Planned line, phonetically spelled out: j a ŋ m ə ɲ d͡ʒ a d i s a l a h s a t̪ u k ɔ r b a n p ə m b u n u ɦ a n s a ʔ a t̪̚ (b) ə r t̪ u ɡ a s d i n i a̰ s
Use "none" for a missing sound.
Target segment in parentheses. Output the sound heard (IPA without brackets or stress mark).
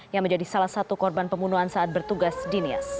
b